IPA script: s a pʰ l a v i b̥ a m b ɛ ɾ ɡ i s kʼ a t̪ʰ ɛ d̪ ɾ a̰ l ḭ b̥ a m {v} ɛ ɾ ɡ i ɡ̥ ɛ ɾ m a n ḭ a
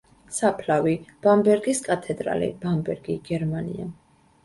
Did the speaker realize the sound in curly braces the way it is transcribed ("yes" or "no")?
no